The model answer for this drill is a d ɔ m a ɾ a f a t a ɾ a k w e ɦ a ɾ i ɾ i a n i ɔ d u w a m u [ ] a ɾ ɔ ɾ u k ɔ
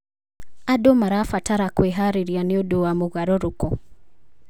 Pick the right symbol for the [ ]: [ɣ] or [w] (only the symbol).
ɣ